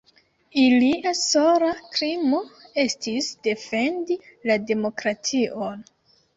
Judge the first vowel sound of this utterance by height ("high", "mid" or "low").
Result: high